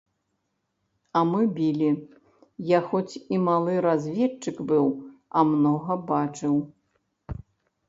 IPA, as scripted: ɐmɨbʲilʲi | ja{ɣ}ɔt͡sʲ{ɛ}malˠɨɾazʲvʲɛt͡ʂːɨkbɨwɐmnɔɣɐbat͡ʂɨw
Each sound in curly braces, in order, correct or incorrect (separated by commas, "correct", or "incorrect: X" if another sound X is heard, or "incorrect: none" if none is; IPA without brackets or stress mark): incorrect: x, incorrect: i